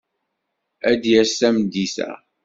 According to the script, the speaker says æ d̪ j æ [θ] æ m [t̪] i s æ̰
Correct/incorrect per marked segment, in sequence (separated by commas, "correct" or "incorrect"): incorrect, incorrect